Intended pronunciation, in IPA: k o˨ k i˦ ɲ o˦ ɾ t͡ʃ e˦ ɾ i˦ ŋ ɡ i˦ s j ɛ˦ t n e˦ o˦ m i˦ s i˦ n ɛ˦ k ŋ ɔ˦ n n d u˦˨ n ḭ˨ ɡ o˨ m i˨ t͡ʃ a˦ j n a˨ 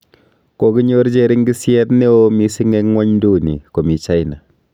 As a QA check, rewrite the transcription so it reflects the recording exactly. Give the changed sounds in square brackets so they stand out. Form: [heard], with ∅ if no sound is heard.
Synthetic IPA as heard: k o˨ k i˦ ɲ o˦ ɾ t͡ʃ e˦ ɾ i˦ ŋ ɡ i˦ s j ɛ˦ t n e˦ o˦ m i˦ s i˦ [ŋ] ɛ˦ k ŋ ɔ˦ [ɲ] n d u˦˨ n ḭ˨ [k] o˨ m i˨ t͡ʃ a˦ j n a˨